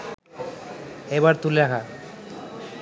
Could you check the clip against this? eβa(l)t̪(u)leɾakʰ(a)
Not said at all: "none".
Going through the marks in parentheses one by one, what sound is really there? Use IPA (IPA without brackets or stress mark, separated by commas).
ɾ, u, a